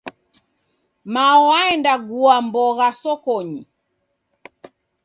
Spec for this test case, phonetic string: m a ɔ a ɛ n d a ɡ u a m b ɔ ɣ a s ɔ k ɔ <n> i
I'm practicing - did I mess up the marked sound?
yes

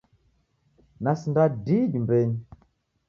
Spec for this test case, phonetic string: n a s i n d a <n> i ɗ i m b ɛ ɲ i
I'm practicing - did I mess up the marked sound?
yes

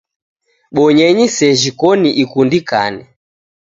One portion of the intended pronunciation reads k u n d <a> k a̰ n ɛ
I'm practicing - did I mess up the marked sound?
yes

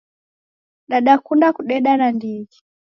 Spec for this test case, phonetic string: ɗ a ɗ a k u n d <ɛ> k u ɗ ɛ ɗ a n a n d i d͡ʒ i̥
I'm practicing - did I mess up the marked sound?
yes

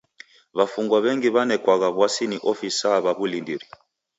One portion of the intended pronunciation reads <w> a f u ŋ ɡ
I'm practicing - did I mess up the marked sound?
yes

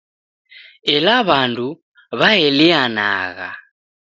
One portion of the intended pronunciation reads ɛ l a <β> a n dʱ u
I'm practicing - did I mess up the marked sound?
no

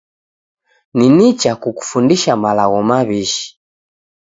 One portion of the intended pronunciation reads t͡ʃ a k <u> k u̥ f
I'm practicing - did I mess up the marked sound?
no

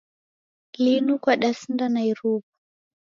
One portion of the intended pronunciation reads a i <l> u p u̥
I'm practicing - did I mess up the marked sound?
yes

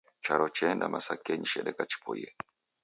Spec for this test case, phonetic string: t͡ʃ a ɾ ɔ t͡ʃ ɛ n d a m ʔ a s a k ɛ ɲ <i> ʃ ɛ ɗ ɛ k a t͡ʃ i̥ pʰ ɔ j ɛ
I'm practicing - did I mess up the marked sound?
no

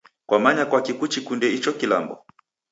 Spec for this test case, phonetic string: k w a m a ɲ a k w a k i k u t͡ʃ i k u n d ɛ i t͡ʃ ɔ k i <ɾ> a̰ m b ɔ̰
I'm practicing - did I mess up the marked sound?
yes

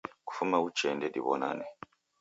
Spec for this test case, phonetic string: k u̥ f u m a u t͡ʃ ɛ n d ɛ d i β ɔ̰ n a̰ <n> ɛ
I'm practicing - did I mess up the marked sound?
no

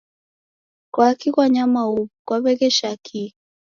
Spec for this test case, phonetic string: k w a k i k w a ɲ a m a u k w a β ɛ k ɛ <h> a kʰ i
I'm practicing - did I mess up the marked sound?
yes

